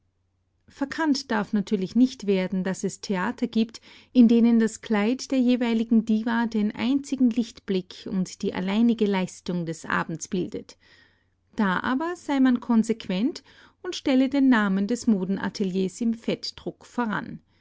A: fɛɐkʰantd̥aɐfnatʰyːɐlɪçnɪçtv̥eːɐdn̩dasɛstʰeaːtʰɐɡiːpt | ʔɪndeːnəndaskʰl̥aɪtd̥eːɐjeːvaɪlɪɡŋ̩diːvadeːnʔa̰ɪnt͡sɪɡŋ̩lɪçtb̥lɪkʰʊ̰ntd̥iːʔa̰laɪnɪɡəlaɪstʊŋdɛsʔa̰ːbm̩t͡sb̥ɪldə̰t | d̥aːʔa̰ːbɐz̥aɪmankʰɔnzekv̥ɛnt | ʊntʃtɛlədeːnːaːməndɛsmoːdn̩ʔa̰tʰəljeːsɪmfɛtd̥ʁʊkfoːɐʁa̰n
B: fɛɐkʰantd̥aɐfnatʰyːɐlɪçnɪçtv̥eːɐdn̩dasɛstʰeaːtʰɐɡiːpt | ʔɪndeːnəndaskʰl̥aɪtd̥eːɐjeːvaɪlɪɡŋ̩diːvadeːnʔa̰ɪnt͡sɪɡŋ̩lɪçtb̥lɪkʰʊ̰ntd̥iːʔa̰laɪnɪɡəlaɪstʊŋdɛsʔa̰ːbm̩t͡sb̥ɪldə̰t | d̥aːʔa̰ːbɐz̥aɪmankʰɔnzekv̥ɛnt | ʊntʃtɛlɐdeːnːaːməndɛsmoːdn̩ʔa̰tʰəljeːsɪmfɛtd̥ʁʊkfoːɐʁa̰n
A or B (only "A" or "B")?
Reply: A